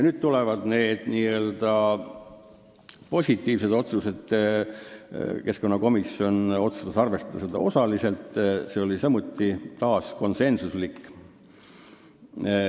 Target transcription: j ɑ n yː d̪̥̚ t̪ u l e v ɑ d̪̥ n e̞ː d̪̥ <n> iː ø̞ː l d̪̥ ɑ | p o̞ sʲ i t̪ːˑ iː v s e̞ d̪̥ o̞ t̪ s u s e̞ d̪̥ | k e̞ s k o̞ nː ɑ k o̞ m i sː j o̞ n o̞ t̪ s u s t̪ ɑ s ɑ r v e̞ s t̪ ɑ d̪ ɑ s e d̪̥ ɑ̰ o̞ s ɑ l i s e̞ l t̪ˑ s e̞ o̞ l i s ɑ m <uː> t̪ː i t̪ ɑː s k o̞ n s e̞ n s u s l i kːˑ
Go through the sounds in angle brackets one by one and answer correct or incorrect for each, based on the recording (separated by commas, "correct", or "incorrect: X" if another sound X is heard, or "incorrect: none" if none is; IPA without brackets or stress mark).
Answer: correct, incorrect: u